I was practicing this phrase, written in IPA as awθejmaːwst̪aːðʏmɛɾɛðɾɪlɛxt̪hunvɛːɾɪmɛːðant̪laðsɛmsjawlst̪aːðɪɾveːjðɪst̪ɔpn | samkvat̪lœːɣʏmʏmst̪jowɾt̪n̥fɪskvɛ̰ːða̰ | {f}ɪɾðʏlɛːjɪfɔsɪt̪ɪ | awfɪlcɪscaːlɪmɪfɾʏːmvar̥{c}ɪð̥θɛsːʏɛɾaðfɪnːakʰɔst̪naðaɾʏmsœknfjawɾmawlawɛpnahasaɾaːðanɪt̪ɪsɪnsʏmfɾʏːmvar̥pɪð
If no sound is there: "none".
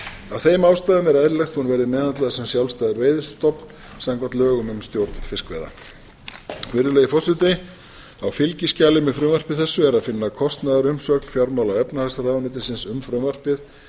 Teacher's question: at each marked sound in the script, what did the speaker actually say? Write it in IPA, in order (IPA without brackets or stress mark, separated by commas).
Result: v, p